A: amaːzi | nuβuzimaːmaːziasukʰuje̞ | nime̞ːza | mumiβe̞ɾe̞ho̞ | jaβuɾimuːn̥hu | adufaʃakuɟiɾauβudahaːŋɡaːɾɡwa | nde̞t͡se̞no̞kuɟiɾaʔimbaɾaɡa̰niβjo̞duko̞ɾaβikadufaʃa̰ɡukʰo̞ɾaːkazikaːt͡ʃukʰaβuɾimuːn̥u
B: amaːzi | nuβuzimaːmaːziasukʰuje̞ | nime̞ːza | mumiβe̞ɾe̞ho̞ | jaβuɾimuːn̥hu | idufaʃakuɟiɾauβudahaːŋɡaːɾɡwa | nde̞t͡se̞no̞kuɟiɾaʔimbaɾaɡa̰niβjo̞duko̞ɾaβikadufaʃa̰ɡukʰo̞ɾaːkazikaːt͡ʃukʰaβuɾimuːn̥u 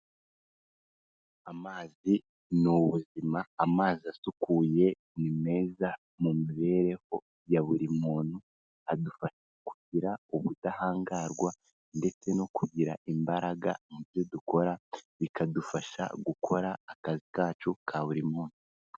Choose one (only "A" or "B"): A